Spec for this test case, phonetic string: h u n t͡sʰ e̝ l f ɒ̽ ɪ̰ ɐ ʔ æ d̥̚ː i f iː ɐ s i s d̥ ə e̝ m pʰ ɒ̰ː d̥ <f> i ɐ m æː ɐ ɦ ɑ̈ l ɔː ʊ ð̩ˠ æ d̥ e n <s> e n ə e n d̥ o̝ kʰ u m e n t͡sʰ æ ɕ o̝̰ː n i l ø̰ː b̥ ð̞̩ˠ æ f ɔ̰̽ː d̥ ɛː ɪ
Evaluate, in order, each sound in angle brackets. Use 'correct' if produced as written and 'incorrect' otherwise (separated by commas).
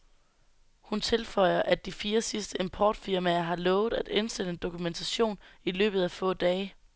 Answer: correct, correct